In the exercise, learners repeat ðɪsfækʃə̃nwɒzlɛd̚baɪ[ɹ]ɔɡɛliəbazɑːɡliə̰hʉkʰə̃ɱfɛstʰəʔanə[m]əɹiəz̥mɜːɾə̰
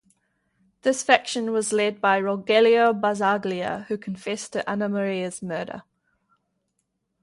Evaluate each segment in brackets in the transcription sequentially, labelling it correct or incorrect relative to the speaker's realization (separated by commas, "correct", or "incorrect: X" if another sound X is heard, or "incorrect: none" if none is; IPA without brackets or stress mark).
correct, correct